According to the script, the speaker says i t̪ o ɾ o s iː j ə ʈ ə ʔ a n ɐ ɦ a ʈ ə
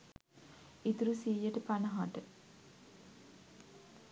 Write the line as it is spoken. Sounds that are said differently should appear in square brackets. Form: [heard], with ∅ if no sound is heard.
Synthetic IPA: i t̪ [u] ɾ [u] s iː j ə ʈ ə [p] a n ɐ ɦ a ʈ ə